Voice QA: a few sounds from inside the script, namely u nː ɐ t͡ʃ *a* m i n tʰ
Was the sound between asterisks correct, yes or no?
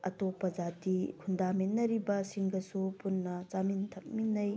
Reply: yes